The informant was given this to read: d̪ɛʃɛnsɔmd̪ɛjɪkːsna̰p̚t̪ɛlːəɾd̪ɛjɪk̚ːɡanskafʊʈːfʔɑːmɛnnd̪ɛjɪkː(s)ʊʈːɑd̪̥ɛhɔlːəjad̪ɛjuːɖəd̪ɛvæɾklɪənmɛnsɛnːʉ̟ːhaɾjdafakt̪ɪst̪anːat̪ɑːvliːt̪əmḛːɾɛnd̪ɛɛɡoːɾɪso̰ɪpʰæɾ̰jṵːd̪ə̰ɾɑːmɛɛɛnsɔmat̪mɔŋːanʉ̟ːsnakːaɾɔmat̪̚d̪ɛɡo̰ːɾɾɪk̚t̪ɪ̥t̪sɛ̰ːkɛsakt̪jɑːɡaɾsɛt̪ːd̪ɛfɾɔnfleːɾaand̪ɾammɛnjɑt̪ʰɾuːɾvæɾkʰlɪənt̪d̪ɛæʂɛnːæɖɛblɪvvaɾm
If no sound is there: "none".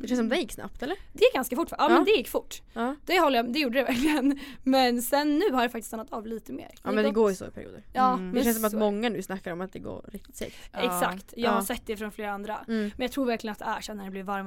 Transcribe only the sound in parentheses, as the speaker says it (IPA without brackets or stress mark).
f